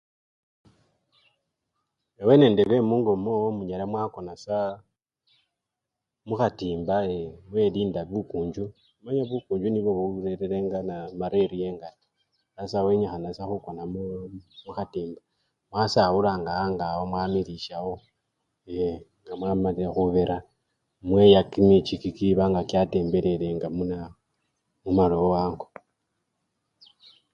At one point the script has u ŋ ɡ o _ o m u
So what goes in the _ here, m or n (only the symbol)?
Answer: m